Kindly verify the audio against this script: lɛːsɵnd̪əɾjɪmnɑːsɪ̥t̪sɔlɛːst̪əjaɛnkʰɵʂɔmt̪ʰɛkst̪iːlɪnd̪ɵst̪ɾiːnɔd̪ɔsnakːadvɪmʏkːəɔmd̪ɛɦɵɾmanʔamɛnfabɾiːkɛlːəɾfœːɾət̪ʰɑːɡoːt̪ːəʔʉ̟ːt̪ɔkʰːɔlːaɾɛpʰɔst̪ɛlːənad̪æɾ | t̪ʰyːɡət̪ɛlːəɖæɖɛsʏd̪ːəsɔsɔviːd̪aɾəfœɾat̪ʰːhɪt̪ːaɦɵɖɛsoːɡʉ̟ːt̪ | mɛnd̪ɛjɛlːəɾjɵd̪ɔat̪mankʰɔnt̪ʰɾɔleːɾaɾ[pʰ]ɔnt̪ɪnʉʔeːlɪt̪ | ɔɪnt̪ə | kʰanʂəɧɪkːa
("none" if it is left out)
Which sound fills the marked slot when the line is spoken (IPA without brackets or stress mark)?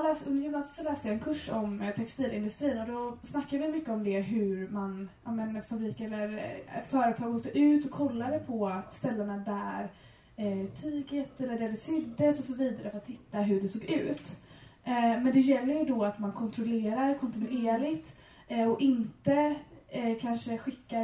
kʰ